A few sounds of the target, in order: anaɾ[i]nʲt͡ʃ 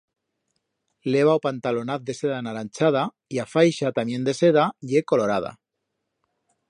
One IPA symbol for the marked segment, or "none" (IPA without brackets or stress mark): a